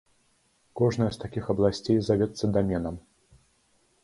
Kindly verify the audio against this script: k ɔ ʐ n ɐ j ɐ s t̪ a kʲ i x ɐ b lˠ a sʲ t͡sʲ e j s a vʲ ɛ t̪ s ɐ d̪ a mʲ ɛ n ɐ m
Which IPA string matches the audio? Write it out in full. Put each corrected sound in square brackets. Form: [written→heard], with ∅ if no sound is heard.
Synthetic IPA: k ɔ ʐ n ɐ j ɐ s t̪ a kʲ i x ɐ b lˠ a sʲ t͡sʲ e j [s→z] a vʲ ɛ t̪ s ɐ d̪ a mʲ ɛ n ɐ m